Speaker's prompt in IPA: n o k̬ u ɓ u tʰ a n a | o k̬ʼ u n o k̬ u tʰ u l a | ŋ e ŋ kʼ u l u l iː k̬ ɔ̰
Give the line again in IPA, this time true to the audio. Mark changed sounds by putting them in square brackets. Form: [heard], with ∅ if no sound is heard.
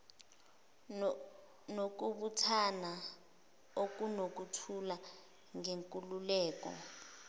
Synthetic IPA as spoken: n o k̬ u ɓ u tʰ a n a | o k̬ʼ u n o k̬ u tʰ u l a | ŋ e ŋ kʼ u l u l [ɛː] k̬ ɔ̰